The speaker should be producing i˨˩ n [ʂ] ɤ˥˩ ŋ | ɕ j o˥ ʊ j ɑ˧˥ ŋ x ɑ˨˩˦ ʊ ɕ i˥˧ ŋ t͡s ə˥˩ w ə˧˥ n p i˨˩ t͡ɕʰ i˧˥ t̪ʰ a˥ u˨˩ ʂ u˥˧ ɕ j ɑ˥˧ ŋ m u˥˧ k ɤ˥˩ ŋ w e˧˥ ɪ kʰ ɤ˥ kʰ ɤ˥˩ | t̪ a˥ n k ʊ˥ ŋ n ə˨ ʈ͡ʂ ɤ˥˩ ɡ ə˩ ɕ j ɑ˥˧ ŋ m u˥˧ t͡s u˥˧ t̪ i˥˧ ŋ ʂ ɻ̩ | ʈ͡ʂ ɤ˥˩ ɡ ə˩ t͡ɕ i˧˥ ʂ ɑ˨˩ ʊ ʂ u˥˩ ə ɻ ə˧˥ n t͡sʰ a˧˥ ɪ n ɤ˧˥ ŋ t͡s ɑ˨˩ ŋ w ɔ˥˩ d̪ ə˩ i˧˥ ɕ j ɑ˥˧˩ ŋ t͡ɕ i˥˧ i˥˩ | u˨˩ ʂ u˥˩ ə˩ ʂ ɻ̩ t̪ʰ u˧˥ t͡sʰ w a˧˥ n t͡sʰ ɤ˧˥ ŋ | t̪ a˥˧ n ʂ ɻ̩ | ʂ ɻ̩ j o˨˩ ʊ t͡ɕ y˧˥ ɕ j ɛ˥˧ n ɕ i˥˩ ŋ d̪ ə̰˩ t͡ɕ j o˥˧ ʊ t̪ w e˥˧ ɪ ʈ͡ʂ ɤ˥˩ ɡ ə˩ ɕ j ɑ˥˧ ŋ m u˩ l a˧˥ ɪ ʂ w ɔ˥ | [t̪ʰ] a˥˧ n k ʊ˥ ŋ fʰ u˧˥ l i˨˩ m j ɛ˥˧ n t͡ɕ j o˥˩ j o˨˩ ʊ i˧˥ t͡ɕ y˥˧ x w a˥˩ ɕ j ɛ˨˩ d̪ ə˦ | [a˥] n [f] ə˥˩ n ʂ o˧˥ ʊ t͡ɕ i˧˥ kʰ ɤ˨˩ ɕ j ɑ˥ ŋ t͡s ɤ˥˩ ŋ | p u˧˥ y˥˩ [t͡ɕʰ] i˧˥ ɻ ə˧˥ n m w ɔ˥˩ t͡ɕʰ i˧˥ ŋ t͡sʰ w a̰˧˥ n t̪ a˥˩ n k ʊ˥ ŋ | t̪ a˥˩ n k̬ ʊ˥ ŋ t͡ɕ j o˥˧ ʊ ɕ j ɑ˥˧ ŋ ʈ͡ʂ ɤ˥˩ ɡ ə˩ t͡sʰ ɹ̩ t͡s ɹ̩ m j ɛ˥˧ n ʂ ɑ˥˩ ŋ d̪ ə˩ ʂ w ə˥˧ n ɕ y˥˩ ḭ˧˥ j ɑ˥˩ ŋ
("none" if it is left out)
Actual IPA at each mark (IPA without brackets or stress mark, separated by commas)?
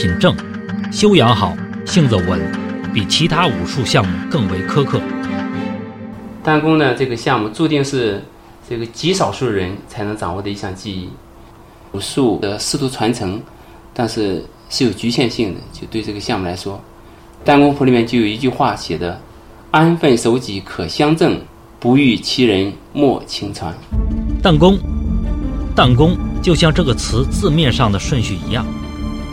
ʈ͡ʂ, t̪, a˥, f, t͡ɕʰ